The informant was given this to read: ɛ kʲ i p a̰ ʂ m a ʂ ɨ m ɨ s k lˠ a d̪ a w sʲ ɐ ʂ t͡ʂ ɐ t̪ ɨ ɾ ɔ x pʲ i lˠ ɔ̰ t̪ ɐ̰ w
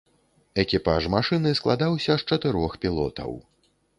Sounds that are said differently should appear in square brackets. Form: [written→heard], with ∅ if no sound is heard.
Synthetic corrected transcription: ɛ kʲ i p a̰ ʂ m a ʂ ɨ [m→n] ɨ s k lˠ a d̪ a w sʲ ɐ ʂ t͡ʂ ɐ t̪ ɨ ɾ ɔ x pʲ i lˠ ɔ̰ t̪ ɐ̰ w